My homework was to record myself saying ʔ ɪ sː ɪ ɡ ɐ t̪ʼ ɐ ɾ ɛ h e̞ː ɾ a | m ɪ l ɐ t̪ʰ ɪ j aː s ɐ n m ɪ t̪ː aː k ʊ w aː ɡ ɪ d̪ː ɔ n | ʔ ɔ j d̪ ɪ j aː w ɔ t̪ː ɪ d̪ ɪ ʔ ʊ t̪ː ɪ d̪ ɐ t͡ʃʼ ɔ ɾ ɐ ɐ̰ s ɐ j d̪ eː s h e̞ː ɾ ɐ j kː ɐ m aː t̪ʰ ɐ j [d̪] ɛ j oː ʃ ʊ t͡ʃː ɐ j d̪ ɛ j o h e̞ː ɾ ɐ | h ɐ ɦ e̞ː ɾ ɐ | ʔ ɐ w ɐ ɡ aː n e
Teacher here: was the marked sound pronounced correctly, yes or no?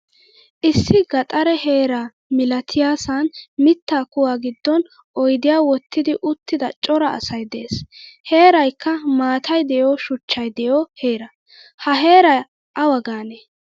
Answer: yes